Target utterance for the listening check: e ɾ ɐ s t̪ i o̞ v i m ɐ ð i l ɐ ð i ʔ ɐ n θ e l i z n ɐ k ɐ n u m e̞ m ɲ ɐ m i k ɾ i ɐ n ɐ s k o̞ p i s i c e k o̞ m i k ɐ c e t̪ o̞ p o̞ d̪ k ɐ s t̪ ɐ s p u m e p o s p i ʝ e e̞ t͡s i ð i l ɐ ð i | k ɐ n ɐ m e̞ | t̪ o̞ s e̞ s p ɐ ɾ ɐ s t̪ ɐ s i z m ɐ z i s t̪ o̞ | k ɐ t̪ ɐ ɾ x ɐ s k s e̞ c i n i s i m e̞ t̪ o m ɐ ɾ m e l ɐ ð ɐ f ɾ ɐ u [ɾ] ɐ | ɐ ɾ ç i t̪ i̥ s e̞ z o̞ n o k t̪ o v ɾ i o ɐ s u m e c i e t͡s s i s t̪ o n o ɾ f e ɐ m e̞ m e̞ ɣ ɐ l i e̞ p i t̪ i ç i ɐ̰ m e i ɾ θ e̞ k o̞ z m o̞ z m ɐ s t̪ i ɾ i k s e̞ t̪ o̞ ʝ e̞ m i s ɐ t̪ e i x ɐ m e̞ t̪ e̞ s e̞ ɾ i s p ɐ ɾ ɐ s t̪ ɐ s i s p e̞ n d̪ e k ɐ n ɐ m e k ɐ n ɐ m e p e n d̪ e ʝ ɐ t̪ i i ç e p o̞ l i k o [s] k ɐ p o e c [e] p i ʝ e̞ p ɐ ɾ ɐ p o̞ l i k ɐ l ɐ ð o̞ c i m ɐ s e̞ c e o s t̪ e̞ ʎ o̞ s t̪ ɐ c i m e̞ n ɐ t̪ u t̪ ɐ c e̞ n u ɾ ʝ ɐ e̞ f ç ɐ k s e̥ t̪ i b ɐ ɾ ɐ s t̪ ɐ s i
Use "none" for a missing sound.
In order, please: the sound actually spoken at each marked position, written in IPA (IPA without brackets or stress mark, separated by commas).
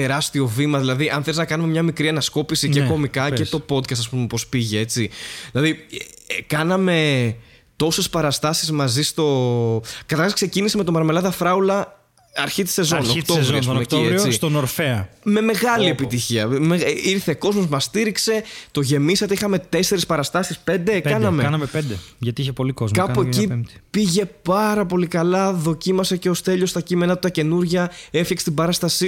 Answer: l, z, i